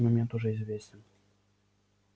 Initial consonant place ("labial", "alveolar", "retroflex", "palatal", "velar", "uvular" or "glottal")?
labial